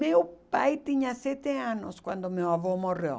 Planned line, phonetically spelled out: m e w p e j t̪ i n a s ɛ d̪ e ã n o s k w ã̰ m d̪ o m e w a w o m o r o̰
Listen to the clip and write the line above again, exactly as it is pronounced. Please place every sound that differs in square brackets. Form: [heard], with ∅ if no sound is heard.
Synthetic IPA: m e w p [a] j t̪ i [ɲ] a s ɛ [t̪] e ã n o s k w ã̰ [n] d̪ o m e w a [v] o m o r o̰